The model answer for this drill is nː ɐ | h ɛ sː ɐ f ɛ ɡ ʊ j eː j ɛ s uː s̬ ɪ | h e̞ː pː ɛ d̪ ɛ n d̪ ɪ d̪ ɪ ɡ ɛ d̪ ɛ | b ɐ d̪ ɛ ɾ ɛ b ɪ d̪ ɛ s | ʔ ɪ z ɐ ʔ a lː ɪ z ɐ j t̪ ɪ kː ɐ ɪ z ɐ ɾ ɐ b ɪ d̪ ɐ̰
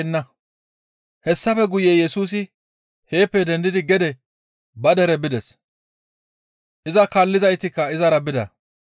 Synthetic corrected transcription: nː ɐ | h ɛ sː ɐ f ɛ ɡ ʊ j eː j ɛ s uː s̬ ɪ | h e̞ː pː ɛ d̪ ɛ n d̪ ɪ d̪ ɪ ɡ ɛ d̪ ɛ | b ɐ d̪ ɛ ɾ ɛ b ɪ d̪ ɛ s | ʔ ɪ z ɐ k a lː ɪ z ɐ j t̪ ɪ kː ɐ ɪ z ɐ ɾ ɐ b ɪ d̪ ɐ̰